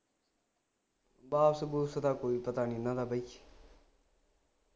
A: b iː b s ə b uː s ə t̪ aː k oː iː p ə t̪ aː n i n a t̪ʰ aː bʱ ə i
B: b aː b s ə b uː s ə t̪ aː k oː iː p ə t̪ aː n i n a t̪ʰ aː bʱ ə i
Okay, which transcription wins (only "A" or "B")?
B